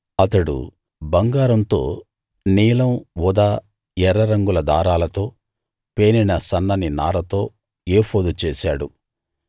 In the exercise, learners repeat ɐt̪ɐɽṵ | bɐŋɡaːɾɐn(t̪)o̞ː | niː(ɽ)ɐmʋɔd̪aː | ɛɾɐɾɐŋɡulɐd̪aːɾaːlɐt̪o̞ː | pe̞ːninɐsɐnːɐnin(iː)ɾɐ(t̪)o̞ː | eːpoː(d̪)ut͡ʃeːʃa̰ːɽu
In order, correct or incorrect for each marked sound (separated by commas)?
correct, incorrect, incorrect, correct, correct